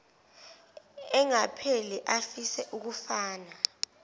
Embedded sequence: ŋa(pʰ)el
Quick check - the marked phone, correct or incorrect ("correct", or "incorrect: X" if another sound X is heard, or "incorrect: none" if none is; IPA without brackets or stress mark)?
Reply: correct